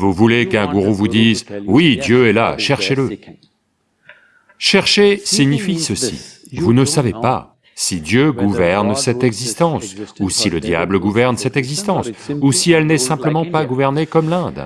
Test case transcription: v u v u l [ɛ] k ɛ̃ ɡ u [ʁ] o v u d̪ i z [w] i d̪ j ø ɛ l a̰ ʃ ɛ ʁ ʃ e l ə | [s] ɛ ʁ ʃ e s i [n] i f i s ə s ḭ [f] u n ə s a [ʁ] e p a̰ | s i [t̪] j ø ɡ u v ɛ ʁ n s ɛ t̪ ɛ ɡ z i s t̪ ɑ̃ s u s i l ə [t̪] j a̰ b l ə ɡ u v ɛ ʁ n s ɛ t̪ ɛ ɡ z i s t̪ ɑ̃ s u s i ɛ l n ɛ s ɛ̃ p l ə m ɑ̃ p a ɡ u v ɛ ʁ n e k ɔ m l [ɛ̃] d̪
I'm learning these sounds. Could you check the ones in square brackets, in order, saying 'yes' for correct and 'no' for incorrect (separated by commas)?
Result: no, yes, yes, no, no, no, no, no, no, yes